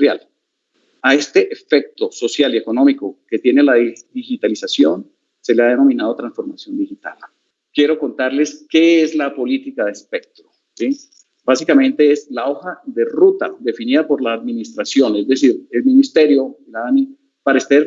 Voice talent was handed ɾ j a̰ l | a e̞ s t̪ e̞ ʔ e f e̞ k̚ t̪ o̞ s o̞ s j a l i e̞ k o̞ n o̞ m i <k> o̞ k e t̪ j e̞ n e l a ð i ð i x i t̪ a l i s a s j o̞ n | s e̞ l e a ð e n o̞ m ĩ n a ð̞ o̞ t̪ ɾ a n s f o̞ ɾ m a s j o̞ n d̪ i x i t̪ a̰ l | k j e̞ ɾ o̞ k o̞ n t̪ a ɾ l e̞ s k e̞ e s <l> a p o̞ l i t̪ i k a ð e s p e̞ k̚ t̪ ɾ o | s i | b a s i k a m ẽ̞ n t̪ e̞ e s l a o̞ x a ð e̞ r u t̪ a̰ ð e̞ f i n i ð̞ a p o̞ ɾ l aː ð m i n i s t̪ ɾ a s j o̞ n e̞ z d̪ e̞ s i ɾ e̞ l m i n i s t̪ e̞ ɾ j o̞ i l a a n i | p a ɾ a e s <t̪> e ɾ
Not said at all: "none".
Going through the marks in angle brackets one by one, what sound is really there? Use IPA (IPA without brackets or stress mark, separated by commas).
k, l, t̪